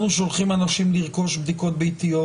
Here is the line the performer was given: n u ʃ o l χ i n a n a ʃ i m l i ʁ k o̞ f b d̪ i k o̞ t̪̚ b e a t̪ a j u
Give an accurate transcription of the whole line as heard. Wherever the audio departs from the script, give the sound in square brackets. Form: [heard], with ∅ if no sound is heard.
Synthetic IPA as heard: n u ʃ o l χ i [m] a n a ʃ i m l i ʁ k o̞ [ʃ] b d̪ i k o̞ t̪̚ b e [i] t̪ [i] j [o]